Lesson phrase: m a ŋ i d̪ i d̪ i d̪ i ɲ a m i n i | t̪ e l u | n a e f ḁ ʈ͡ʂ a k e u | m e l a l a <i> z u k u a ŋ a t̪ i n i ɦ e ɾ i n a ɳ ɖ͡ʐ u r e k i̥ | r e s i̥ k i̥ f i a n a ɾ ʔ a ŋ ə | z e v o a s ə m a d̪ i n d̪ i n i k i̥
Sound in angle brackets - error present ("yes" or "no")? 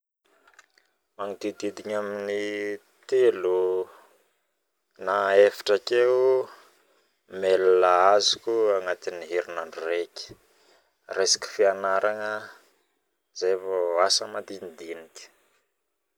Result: yes